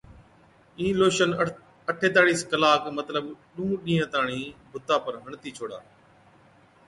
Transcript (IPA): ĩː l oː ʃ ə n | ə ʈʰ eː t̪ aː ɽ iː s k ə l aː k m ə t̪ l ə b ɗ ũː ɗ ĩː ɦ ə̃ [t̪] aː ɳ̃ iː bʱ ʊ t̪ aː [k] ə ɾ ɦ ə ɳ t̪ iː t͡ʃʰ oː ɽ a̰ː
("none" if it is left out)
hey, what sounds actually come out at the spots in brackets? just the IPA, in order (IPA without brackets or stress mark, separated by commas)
t̪, p